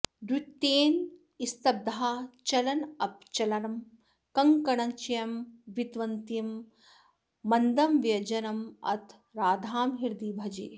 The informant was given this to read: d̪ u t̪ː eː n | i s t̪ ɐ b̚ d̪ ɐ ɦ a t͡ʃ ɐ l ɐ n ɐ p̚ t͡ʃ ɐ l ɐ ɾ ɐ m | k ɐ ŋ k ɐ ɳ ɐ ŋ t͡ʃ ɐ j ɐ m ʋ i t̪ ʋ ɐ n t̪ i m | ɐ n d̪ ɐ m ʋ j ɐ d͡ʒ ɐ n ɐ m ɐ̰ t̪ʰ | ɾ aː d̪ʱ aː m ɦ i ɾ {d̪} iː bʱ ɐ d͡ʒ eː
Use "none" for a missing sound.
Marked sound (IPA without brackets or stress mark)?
d̪